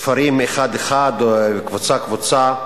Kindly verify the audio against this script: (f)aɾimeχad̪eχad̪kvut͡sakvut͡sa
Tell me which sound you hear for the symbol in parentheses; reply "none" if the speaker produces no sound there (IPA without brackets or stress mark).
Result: f